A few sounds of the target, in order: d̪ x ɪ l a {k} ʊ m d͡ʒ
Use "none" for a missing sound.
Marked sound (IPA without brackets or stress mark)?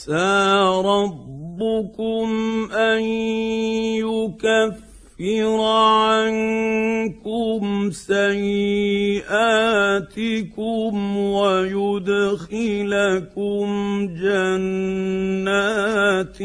k